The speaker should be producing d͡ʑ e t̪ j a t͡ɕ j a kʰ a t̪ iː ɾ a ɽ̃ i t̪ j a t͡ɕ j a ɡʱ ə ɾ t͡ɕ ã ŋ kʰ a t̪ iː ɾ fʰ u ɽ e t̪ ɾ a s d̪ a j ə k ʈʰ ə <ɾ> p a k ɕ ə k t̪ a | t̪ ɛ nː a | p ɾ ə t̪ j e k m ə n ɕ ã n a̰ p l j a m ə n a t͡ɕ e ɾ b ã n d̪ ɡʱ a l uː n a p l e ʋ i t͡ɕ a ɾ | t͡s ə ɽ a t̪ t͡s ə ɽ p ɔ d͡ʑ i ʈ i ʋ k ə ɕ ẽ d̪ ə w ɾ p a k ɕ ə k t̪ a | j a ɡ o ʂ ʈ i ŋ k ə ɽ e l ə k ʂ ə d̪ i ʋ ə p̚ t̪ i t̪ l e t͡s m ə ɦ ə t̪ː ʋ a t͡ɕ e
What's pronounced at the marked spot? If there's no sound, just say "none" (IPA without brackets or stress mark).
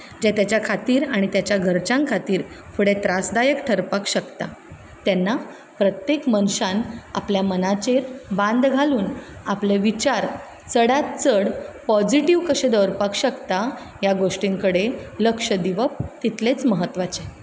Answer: ɾ